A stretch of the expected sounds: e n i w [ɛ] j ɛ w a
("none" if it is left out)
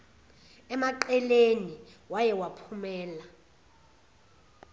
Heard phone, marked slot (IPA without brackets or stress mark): a